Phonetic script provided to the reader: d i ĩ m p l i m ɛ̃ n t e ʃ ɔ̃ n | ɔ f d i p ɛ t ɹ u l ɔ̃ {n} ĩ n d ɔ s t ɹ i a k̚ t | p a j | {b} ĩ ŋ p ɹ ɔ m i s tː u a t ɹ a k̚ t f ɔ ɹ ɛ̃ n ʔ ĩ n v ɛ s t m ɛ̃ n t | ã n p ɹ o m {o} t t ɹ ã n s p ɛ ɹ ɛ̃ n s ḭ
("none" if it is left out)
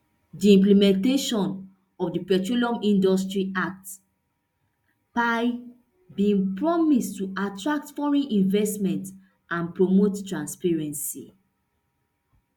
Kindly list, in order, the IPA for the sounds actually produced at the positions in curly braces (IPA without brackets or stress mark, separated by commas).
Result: m, b, o